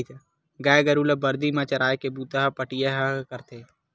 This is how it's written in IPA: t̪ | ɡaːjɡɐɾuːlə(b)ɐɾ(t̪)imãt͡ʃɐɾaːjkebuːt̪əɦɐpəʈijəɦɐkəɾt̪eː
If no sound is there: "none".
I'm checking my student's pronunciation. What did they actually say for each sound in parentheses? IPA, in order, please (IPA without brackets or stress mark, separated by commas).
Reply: b, d̪